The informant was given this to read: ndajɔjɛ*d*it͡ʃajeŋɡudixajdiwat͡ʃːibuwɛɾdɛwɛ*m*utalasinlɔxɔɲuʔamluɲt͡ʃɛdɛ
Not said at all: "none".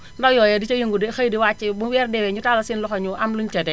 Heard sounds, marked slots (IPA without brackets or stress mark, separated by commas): d, ɲ